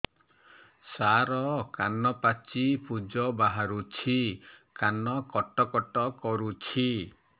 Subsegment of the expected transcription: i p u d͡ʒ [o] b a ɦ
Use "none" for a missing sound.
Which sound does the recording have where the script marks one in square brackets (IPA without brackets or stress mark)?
ɔ